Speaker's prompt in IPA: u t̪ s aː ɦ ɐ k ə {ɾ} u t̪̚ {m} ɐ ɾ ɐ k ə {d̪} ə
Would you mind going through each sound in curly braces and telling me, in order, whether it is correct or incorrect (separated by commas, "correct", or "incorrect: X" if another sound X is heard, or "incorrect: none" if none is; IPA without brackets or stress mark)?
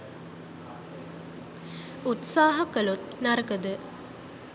incorrect: l, incorrect: n, correct